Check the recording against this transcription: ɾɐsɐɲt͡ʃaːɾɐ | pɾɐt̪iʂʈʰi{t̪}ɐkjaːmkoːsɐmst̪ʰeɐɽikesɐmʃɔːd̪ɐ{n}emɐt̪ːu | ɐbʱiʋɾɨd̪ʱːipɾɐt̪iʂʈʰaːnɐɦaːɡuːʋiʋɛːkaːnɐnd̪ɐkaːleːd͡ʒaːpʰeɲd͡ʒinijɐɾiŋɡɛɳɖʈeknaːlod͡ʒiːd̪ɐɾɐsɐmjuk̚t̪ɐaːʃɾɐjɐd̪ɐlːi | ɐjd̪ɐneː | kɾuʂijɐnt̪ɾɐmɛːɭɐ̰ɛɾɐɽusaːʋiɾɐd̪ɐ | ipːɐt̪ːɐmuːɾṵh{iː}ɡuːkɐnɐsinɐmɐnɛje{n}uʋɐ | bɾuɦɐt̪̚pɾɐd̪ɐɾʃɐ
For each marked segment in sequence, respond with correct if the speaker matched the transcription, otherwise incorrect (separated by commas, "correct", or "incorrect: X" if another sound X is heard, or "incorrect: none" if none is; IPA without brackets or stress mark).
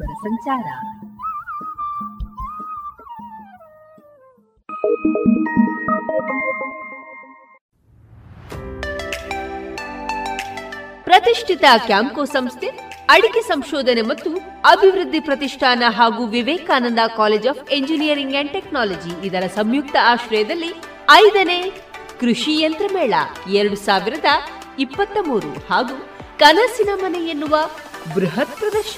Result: correct, correct, incorrect: aː, incorrect: nː